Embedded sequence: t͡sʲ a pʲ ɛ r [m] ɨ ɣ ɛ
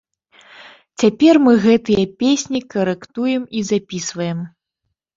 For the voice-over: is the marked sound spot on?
yes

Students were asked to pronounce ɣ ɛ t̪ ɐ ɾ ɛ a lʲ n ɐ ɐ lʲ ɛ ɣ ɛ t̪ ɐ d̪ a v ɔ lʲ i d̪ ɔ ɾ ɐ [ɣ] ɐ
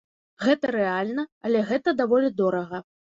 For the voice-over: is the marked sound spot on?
yes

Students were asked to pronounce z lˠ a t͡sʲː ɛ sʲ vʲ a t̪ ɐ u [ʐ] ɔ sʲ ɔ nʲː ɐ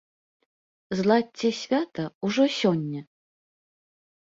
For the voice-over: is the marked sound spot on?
yes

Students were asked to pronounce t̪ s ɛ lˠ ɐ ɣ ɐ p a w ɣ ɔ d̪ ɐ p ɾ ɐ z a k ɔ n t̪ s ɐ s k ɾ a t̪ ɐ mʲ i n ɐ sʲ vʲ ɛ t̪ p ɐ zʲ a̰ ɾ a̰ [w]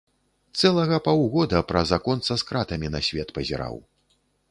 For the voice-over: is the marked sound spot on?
yes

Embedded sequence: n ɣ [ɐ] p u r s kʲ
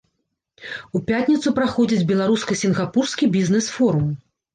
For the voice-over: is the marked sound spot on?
no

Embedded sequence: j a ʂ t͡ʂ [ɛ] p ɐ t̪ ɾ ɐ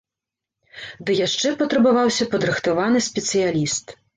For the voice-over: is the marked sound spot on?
yes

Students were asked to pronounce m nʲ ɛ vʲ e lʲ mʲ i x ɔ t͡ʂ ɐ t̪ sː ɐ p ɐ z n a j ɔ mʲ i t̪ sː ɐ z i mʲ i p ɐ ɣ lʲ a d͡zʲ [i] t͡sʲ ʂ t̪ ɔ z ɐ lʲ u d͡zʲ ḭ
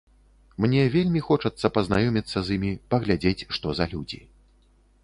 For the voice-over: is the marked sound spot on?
no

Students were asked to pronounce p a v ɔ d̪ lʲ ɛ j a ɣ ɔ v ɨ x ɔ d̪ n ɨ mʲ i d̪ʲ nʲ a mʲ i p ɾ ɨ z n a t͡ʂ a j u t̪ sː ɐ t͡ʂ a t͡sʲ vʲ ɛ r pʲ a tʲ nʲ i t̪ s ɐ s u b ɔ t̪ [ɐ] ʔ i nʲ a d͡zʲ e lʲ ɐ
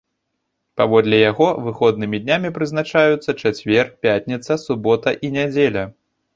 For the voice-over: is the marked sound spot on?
yes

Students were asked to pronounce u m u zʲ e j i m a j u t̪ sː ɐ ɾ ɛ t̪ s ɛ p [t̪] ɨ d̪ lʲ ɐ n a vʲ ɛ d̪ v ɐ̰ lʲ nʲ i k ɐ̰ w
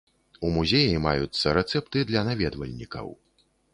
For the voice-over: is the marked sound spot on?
yes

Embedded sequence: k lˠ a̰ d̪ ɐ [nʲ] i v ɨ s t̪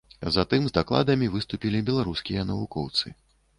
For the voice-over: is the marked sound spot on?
no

